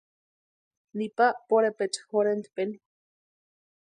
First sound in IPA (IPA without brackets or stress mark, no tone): n